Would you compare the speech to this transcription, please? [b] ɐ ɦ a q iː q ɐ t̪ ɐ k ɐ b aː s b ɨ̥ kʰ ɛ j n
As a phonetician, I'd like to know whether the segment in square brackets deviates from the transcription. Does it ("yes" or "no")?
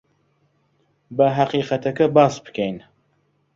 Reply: no